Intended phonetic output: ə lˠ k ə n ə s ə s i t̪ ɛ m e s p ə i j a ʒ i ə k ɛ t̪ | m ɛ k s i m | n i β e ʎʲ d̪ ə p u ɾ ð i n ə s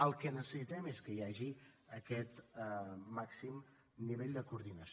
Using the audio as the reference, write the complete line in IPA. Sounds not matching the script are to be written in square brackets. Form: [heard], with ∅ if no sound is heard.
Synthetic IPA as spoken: ə lˠ k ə n ə s ə s i t̪ ɛ m e s [k] ə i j a ʒ i ə k ɛ t̪ | m [a] k s i m | n i β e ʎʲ d̪ ə [k] u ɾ ð i n ə s